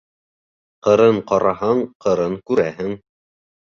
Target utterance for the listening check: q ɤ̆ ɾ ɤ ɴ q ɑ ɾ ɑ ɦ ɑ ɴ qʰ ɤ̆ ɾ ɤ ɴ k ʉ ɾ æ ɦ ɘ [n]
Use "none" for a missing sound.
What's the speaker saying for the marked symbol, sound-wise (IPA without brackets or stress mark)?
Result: ŋ